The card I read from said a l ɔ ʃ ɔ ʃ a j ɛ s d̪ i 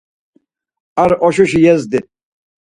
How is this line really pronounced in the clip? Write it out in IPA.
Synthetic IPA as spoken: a ɾ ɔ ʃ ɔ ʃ i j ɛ z d̪ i